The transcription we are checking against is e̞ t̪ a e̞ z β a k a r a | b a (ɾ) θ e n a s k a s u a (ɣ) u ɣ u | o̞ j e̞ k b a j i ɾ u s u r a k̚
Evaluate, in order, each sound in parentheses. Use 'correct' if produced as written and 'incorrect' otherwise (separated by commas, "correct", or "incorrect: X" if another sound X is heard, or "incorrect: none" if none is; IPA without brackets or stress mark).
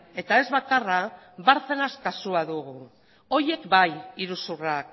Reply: correct, incorrect: ð